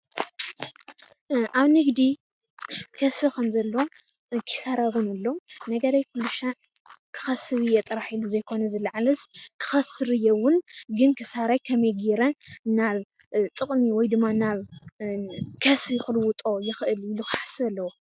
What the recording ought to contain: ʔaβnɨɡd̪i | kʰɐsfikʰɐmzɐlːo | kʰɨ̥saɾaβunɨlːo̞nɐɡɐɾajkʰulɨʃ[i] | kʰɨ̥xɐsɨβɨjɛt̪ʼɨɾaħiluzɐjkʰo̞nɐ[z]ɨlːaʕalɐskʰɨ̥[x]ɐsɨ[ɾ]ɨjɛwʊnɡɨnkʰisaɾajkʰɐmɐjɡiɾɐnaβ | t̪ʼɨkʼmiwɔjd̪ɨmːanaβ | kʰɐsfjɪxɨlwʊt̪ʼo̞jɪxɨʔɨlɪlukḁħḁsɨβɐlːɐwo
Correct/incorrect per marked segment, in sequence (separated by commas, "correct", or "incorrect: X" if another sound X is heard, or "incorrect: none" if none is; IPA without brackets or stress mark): incorrect: a, correct, correct, correct